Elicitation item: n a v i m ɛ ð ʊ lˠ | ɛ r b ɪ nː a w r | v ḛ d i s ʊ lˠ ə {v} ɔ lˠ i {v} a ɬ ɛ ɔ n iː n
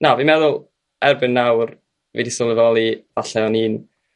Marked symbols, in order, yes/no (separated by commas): yes, yes